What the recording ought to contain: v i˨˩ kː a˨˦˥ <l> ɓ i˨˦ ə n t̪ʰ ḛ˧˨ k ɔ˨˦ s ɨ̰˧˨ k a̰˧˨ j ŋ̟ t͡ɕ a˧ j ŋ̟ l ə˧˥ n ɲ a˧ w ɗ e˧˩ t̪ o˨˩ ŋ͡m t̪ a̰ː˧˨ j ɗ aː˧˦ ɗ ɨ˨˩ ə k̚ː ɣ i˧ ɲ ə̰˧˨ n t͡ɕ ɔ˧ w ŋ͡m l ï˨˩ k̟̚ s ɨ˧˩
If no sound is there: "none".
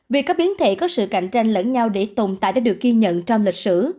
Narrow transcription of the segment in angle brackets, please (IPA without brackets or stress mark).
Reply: none